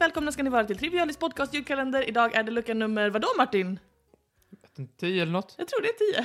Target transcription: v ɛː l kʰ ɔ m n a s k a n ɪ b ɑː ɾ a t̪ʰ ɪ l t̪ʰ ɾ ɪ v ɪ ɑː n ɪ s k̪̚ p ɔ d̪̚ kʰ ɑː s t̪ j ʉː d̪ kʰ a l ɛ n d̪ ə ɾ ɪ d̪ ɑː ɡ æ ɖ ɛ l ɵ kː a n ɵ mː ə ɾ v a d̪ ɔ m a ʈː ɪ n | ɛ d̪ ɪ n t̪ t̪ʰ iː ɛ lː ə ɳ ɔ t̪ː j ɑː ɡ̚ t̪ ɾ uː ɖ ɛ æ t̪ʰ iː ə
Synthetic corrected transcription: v ɛː l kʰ ɔ m n a s k a n ɪ v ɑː ɾ a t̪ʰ ɪ l t̪ʰ ɾ ɪ v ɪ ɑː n ɪ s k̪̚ p ɔ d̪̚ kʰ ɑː s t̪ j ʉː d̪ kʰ a l ɛ n d̪ ə ɾ ɪ d̪ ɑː ɡ æ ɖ ɛ l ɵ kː a n ɵ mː ə ɾ v a d̪ ɔ m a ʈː ɪ n | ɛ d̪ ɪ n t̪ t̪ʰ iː ɛ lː ə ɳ ɔ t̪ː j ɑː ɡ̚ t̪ ɾ uː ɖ ɛ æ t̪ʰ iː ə